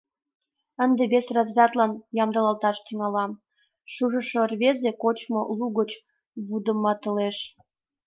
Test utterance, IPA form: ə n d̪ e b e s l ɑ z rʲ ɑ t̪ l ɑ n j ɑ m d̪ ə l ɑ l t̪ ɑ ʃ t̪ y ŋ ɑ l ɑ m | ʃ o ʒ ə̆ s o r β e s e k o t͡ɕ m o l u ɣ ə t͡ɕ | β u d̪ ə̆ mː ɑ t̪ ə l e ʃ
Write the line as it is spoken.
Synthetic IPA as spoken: ə n d̪ e b e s r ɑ z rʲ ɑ t̪ l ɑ n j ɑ m d̪ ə l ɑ l t̪ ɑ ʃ t̪ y ŋ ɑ l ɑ m | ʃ u ʒ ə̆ ʃ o r β e z e k o t͡ɕ m o l u ɣ ə t͡ɕ | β u d̪ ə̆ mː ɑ t̪ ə l e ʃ